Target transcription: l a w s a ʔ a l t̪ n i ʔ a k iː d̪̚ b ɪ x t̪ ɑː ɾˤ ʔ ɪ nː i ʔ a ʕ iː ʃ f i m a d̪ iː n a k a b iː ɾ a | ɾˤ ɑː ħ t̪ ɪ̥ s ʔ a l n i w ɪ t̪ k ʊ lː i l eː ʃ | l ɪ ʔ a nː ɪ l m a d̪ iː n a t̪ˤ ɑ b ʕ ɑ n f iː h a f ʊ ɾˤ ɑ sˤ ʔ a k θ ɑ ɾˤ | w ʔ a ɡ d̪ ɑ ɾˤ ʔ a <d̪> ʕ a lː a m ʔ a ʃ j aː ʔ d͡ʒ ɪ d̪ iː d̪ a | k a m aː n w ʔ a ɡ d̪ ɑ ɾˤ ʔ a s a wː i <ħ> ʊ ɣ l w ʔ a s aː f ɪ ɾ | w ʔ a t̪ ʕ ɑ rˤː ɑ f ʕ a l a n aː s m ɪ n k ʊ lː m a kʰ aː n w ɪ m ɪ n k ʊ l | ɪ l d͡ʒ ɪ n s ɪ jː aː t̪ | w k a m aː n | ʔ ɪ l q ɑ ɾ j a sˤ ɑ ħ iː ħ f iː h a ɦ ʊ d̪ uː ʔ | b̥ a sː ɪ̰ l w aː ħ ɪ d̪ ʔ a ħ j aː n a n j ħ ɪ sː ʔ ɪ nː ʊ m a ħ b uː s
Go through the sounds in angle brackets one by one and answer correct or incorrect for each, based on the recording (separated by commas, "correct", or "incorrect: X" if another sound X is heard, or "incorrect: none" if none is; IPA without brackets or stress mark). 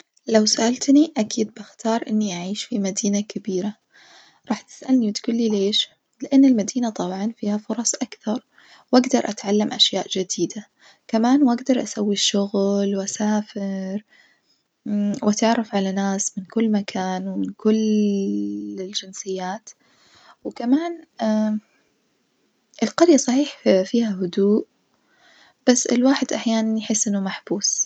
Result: incorrect: t̪, incorrect: ʃ